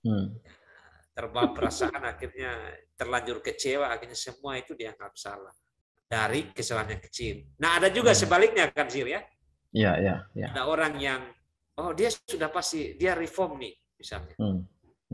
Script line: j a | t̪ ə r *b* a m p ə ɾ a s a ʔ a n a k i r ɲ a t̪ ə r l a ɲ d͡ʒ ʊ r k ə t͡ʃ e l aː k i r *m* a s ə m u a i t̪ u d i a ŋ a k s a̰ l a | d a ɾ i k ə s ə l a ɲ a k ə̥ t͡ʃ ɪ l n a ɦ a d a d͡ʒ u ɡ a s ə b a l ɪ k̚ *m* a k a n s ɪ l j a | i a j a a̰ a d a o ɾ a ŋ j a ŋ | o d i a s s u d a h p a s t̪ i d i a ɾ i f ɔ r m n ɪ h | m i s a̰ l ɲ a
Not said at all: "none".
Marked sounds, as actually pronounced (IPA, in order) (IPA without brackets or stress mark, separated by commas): b, ɲ, ɲ